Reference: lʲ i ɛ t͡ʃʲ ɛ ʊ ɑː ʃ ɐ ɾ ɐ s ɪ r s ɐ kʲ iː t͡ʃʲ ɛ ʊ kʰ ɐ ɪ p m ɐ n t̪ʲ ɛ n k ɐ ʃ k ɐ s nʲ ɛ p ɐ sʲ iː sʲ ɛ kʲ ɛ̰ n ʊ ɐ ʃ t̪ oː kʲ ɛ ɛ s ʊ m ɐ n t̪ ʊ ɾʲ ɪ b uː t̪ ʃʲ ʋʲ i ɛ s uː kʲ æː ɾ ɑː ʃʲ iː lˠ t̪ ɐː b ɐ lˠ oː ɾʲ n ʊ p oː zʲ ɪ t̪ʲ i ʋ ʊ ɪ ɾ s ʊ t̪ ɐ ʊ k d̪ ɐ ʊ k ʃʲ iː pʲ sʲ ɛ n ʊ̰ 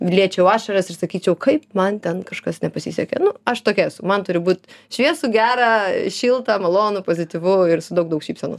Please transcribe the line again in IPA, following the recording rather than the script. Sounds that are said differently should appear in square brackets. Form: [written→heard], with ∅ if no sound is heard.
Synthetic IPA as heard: lʲ i ɛ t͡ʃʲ ɛ ʊ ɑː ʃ ɐ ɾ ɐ s ɪ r s ɐ kʲ iː t͡ʃʲ ɛ ʊ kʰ ɐ ɪ p m ɐ n t̪ʲ ɛ n k ɐ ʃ k ɐ s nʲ ɛ p ɐ sʲ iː sʲ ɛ kʲ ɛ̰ n ʊ ɐ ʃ t̪ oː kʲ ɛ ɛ s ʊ m ɐ n t̪ ʊ ɾʲ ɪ b uː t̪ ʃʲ ʋʲ i ɛ s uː [kʲ→ɡʲ] æː ɾ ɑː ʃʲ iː lˠ t̪ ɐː [b→m] ɐ lˠ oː [ɾʲ→∅] n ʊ p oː zʲ ɪ t̪ʲ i ʋ ʊ ɪ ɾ s ʊ [t̪→d̪] ɐ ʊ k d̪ ɐ ʊ k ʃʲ iː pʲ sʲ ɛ n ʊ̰